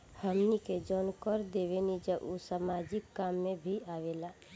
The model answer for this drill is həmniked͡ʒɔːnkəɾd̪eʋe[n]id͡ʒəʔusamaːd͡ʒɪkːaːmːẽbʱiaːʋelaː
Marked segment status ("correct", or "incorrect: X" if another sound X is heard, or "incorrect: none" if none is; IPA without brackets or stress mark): correct